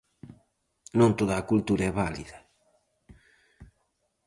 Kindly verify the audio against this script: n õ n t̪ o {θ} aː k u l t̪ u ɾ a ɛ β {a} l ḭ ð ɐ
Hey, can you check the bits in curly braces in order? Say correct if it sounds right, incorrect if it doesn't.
incorrect, correct

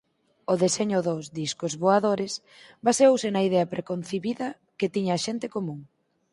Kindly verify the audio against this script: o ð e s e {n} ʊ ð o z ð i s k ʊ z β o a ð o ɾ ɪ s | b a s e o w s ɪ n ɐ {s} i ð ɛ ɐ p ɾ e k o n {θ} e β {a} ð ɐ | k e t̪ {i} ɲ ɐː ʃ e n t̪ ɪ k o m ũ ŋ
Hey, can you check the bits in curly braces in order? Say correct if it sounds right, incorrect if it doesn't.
incorrect, incorrect, correct, incorrect, correct

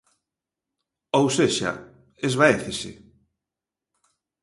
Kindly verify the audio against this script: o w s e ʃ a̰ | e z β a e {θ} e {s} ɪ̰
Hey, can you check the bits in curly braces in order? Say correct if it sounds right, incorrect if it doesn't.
correct, correct

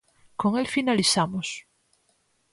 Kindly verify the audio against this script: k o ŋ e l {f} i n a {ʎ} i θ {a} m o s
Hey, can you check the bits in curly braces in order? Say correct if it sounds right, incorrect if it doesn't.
correct, incorrect, correct

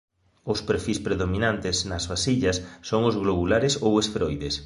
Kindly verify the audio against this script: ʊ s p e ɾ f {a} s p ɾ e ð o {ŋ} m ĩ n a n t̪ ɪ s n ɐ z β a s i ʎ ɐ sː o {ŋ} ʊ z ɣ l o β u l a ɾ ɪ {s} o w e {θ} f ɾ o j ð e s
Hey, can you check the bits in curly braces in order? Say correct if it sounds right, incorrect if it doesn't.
incorrect, incorrect, correct, correct, incorrect

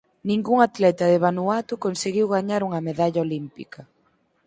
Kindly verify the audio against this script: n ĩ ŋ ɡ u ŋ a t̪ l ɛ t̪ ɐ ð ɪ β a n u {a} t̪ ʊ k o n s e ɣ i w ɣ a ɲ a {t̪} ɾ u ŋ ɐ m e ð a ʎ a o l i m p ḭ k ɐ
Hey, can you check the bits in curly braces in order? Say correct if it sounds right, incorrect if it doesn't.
correct, incorrect

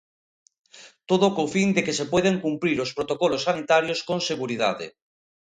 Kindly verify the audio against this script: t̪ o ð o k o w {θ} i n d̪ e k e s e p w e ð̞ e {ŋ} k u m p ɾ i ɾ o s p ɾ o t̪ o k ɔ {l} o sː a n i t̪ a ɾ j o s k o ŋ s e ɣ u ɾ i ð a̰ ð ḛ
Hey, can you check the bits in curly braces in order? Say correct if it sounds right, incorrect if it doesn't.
incorrect, correct, correct

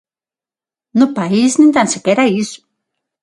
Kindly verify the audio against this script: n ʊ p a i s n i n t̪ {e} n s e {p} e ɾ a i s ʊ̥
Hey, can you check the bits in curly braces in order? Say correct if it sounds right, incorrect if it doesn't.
incorrect, incorrect

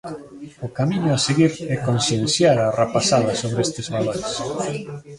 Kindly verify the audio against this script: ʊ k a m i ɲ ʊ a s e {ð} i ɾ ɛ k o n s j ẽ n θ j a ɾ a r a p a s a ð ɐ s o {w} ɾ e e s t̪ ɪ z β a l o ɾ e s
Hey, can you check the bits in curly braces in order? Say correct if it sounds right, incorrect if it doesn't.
incorrect, incorrect

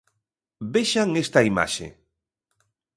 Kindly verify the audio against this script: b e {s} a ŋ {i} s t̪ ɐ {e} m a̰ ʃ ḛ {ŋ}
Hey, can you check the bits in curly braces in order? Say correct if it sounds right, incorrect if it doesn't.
incorrect, incorrect, incorrect, incorrect

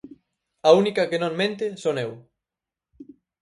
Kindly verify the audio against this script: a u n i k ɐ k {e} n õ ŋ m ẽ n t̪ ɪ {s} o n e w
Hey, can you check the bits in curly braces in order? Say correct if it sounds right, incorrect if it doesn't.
correct, correct

